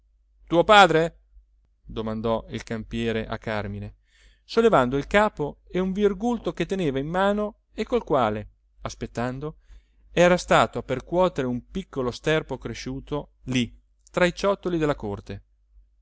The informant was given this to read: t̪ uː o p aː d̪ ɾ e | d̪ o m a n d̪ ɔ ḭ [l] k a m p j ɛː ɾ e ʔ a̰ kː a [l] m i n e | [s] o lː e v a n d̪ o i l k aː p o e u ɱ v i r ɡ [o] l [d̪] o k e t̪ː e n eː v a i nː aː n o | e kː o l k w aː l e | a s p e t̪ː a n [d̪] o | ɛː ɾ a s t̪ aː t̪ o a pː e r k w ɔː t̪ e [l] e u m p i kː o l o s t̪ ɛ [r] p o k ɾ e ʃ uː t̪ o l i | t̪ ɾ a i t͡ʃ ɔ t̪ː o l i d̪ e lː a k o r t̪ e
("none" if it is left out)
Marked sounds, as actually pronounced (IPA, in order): l, r, s, u, t̪, d̪, ɾ, r

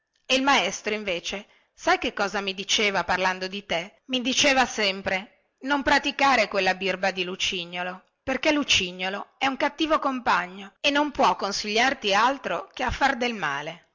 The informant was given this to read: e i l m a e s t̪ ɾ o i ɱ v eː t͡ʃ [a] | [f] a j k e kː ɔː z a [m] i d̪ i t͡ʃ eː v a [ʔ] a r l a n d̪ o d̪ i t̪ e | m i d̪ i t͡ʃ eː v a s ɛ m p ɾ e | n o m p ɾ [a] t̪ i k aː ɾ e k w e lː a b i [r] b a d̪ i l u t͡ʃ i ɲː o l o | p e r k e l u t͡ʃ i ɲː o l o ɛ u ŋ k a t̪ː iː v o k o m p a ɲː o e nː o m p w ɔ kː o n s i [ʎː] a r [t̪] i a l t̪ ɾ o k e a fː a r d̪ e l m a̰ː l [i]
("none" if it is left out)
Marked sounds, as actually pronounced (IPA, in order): e, s, m, p, a, r, ʎː, t̪, e

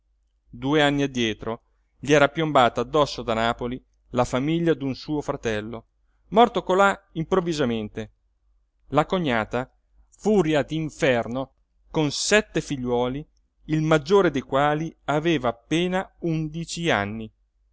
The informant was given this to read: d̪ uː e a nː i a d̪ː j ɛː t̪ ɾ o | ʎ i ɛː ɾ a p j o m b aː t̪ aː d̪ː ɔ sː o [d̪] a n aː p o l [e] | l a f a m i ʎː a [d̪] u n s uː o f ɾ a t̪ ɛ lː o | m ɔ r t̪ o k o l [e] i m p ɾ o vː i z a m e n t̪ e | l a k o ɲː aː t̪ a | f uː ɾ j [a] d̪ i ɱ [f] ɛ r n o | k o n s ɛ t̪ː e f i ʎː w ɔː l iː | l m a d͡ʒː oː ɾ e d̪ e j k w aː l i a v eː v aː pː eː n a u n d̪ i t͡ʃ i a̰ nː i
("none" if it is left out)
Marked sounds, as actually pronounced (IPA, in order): d̪, i, d̪, a, a, f

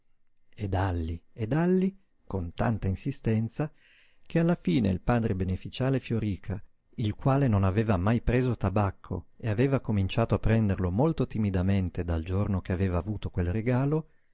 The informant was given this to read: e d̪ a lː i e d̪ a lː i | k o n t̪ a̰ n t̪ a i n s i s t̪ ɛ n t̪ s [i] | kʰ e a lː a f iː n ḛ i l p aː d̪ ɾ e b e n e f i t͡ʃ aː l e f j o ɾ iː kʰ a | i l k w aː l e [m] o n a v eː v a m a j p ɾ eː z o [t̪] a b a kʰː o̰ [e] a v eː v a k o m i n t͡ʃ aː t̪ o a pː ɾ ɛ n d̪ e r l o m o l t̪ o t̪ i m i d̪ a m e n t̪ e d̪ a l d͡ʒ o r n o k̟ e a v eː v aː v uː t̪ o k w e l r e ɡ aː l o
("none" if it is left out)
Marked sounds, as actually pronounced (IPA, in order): a, n, t̪, e

